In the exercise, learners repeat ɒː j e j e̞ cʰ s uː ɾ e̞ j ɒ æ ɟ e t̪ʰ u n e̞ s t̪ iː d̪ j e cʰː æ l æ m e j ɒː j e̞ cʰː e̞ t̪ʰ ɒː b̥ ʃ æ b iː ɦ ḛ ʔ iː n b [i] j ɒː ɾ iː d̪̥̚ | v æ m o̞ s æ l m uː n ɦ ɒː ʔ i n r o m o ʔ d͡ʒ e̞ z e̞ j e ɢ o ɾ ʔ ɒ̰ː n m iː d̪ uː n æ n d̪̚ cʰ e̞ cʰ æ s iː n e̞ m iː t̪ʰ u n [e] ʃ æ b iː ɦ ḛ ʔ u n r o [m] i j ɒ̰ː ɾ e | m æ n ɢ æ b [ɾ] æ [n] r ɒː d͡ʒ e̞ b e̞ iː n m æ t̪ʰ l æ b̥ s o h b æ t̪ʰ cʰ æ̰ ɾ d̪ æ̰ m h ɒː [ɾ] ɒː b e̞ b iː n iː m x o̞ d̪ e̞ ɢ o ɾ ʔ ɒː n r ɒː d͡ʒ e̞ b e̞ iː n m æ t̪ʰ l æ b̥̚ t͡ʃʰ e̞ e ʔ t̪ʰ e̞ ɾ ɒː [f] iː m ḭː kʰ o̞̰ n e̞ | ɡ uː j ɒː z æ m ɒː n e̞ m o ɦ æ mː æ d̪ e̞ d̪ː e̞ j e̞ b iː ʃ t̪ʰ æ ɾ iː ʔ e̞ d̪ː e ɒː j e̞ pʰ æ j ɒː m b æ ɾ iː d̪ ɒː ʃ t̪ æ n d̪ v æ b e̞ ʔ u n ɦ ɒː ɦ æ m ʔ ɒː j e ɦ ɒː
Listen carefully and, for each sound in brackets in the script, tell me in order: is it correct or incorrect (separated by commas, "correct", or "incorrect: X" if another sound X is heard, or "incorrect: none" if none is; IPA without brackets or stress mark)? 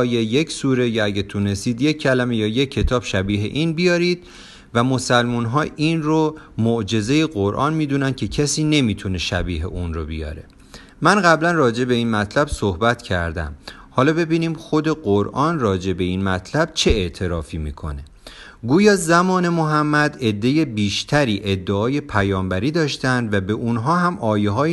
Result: correct, correct, incorrect: b, incorrect: l, correct, incorrect: l, correct